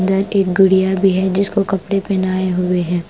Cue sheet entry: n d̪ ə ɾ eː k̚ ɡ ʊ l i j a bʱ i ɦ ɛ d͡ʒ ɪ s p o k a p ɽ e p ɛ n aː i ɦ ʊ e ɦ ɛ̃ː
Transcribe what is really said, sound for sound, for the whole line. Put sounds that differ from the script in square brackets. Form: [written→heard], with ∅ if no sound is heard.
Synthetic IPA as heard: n d̪ ə ɾ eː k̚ ɡ ʊ [l→ɽ] i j a bʱ i ɦ ɛ d͡ʒ ɪ s [p→k] o k [a→ɐ] p ɽ e p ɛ n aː [i→e] ɦ ʊ e ɦ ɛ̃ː

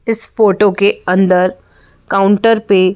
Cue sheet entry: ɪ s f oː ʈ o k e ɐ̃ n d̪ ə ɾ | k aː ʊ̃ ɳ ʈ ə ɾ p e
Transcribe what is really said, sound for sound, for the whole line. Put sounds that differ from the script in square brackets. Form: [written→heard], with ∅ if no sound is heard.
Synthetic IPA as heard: ɪ s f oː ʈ o k e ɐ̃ n d̪ ə ɾ | k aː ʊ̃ ɳ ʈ ə ɾ p e

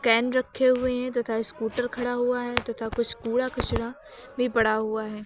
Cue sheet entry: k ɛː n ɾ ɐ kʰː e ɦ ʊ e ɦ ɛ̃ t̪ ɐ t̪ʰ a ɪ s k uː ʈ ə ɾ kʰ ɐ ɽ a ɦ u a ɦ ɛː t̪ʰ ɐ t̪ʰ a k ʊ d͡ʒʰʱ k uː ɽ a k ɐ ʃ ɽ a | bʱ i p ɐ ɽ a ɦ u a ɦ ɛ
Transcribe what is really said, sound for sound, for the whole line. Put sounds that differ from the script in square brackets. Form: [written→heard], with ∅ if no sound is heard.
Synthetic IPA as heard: k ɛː n ɾ ɐ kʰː e ɦ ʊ e ɦ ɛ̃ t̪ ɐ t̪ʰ a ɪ s k uː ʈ ə ɾ kʰ ɐ ɽ a ɦ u a ɦ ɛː [t̪ʰ→t̪] ɐ t̪ʰ a k ʊ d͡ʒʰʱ k uː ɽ a k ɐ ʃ ɽ a | bʱ i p ɐ ɽ a ɦ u a ɦ [ɛ→ɛː]

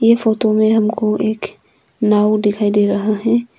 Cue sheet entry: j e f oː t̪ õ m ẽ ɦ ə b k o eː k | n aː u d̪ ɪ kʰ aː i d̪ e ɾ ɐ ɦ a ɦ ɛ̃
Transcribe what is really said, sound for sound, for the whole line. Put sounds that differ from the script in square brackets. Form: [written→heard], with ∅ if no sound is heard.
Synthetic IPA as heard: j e f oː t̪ [õ→o] m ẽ ɦ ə [b→m] k o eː k | n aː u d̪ ɪ kʰ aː i d̪ e ɾ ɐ ɦ a ɦ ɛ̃

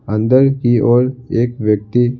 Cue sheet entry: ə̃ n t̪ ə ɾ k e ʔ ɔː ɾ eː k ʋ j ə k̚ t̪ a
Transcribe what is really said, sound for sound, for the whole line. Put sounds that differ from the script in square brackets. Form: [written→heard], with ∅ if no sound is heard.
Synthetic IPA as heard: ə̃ n [t̪→d̪] ə ɾ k [e→i] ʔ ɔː ɾ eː k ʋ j ə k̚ t̪ [a→i]

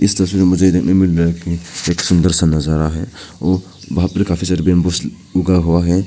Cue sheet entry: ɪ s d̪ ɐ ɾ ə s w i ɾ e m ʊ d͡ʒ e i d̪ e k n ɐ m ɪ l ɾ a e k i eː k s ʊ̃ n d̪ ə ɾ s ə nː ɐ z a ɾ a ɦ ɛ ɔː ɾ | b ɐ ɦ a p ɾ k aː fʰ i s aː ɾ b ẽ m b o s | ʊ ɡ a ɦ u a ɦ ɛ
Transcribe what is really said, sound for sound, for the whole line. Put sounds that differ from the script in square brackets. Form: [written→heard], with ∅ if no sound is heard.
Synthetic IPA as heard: ɪ s [d̪→t̪] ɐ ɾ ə s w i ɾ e m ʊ d͡ʒ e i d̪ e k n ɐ m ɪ l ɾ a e k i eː k s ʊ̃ n d̪ ə ɾ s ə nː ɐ z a ɾ a ɦ ɛ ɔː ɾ | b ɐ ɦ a p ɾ k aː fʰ i s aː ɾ b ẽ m b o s | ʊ ɡ a ɦ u a ɦ ɛ

